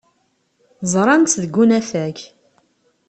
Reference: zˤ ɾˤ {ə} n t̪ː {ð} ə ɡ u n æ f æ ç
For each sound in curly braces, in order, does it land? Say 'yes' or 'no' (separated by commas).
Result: no, yes